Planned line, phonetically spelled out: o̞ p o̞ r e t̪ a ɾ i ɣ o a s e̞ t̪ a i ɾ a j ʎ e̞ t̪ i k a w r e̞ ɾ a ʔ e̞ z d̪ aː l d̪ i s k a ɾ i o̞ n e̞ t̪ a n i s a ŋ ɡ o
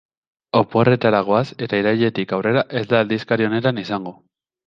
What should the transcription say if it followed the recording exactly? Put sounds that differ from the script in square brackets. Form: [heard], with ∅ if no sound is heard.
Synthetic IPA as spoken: o̞ p o̞ r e t̪ a ɾ [a] ɣ o a s e̞ t̪ a i ɾ a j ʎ e̞ t̪ i k a w r e̞ ɾ a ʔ e̞ z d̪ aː l d̪ i s k a ɾ i o̞ n e̞ t̪ a n i s a ŋ ɡ o